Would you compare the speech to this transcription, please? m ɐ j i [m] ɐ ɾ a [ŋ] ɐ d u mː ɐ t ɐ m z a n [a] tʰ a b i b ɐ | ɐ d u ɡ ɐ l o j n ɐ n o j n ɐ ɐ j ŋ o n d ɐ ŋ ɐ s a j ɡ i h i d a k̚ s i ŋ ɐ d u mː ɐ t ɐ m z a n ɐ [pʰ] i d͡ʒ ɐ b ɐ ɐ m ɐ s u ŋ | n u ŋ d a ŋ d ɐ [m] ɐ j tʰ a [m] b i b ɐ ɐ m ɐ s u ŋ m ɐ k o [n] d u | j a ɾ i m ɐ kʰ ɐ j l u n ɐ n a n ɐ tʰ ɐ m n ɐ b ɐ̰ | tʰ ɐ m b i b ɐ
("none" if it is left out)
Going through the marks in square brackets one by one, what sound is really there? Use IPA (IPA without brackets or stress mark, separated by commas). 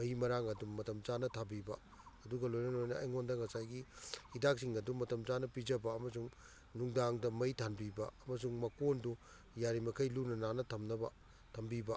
m, ŋ, ɐ, p, m, n, n